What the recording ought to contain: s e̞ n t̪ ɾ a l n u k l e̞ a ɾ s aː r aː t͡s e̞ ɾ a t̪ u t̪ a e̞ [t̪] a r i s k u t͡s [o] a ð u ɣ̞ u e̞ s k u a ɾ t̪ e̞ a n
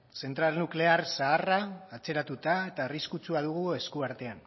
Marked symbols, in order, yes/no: yes, no

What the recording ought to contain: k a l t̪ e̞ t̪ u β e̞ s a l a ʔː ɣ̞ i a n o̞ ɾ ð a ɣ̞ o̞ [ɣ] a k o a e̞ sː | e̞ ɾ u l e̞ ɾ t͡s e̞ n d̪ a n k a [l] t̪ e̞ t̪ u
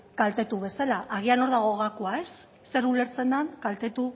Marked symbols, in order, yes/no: yes, yes

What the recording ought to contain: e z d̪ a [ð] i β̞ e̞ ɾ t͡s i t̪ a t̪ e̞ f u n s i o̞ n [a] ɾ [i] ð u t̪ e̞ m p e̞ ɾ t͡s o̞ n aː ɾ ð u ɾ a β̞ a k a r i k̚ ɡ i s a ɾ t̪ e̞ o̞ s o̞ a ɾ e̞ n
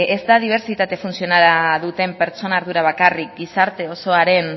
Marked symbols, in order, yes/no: yes, yes, no

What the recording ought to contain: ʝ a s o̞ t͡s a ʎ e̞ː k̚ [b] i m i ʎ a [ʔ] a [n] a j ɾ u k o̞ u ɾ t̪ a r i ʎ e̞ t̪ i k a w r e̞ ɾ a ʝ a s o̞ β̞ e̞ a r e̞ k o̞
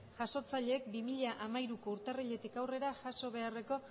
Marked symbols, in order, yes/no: yes, yes, no

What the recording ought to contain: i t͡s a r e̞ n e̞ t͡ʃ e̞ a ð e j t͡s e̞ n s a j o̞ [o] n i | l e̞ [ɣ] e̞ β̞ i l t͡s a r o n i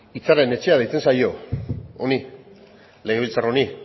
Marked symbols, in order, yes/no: yes, yes

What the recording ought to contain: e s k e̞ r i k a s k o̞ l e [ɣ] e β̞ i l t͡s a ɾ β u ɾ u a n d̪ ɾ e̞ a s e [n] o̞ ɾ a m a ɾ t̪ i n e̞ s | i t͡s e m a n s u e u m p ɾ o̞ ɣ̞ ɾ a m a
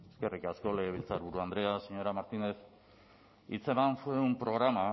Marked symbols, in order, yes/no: yes, no

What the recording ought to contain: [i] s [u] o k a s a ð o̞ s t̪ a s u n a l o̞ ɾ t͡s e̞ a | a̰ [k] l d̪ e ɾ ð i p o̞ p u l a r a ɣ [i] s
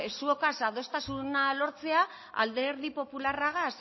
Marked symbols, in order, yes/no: no, yes, no, no

